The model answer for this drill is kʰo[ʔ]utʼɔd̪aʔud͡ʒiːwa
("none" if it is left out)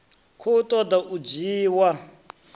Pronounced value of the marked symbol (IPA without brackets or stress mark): none